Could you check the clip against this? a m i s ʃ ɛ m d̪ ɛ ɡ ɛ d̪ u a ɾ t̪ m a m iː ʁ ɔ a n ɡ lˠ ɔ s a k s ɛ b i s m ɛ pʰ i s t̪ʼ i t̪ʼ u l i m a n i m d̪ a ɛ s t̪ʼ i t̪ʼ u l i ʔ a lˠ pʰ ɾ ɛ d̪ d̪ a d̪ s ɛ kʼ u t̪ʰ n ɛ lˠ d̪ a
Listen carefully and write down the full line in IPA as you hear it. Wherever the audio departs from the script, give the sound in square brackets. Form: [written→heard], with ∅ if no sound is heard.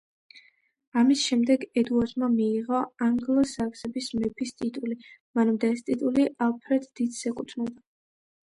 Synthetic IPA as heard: a m i s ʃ ɛ m d̪ ɛ ɡ ɛ d̪ u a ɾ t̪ m a m iː ʁ ɔ a [n→ŋ] ɡ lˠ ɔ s a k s ɛ b i s m ɛ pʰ i s t̪ʼ i t̪ʼ u l i m a n [i→a] m d̪ a ɛ s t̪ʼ i t̪ʼ u l i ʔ a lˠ pʰ ɾ ɛ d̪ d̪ [a→i] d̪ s ɛ kʼ u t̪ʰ n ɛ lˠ d̪ a